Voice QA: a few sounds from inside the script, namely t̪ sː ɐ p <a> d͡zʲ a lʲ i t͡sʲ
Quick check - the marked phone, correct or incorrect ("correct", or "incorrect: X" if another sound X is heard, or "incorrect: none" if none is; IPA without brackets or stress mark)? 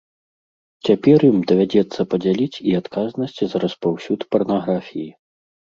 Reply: incorrect: ɐ